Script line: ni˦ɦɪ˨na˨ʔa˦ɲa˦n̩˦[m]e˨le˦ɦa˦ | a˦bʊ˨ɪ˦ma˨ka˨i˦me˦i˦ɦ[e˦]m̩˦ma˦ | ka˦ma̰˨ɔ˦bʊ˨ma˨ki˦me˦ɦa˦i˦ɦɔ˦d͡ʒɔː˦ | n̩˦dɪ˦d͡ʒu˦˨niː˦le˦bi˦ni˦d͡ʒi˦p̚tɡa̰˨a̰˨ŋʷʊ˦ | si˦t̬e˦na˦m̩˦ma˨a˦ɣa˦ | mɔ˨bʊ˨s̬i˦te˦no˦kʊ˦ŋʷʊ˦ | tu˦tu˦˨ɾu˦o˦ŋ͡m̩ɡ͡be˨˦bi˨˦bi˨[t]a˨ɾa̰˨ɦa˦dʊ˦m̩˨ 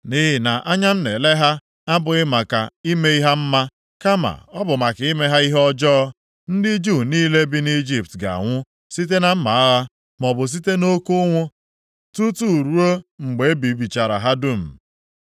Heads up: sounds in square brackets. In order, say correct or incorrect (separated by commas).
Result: incorrect, incorrect, incorrect